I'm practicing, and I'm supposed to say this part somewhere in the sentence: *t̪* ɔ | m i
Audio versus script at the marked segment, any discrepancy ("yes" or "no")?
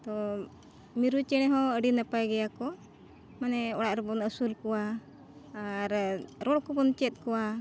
no